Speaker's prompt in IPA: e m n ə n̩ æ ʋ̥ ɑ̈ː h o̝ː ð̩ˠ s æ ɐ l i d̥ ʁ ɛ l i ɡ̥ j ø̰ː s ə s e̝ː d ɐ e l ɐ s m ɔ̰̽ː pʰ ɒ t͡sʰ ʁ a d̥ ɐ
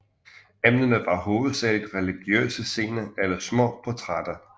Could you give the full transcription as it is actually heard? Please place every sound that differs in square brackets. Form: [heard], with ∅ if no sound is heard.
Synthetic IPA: e m n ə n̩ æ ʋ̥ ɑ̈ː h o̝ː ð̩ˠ s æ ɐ l i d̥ ʁ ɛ l i ɡ̥ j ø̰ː s ə s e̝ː [n] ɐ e l ɐ s m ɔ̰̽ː pʰ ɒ t͡sʰ ʁ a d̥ ɐ